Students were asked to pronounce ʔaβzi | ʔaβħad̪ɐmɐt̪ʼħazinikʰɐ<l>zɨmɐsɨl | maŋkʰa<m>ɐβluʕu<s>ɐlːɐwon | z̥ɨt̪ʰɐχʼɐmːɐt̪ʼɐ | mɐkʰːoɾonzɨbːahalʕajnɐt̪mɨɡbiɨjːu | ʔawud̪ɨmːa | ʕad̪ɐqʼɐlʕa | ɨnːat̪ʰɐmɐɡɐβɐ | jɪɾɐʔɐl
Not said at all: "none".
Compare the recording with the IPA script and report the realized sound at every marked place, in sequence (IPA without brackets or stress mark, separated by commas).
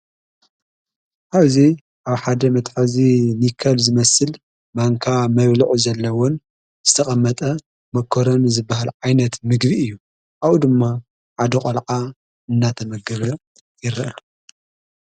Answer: l, m, z